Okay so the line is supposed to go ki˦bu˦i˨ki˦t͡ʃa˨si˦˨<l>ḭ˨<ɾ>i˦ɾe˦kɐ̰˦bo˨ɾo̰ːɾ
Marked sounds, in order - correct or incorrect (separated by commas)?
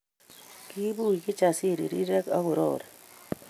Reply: incorrect, correct